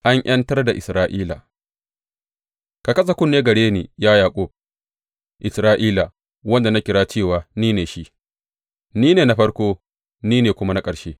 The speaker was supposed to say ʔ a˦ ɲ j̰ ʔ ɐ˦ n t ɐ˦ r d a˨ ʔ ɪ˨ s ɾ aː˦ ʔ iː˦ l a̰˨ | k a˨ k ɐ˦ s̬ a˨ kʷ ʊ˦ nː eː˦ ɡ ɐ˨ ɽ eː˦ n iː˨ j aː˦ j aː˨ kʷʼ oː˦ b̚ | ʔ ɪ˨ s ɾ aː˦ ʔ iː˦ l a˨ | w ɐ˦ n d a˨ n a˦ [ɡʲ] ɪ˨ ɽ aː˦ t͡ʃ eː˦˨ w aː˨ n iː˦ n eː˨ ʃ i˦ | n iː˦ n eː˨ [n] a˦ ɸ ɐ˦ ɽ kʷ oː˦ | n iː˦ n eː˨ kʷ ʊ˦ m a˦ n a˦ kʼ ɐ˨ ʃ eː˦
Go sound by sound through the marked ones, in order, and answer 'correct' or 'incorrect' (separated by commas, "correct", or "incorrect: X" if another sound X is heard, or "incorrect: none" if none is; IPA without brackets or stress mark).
incorrect: kʲ, correct